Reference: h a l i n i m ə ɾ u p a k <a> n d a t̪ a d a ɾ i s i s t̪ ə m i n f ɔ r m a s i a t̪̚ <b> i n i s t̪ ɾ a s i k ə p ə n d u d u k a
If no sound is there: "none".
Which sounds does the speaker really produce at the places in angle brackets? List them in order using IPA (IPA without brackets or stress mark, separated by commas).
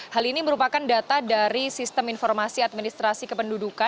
a, m